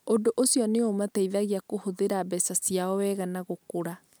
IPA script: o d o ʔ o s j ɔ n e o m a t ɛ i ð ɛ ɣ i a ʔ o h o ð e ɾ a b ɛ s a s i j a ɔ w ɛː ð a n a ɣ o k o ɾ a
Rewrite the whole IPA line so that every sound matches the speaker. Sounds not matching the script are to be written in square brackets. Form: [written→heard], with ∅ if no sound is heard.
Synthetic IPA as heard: o d o ʔ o s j ɔ n e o m a t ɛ i ð [ɛ→a] ɣ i a [ʔ→k] o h o ð e ɾ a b ɛ s a s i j a ɔ w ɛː [ð→ɣ] a n a ɣ o k o ɾ a

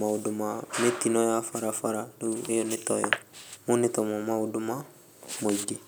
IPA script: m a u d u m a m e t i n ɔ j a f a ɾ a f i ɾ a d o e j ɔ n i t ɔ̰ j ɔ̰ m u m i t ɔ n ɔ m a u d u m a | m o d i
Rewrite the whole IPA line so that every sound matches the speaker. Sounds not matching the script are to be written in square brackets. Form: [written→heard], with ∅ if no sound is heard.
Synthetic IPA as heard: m a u d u m a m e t i n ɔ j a f a ɾ a f [i→a] ɾ a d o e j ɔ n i t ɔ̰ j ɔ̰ m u [m→n] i t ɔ [n→m] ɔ m a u d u m a | m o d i

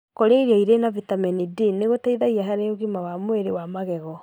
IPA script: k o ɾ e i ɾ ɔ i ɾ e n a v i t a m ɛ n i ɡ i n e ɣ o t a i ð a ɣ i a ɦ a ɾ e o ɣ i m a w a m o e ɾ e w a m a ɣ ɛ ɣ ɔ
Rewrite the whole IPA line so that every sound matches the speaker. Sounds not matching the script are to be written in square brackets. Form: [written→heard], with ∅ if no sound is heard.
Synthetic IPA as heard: k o ɾ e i ɾ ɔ i ɾ e n a v i t a m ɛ n i [ɡ→d] i n e ɣ o t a i ð a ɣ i a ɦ a ɾ e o ɣ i m a w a m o e ɾ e w a m a ɣ ɛ ɣ ɔ

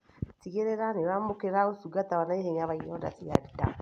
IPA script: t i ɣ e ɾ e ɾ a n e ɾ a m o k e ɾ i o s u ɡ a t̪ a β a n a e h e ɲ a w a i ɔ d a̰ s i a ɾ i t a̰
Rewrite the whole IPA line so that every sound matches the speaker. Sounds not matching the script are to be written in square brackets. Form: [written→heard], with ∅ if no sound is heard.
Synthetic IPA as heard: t i ɣ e ɾ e ɾ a n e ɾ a m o k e ɾ [i→a] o s u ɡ a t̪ a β a n a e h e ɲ a [w→β] a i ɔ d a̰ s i a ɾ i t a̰

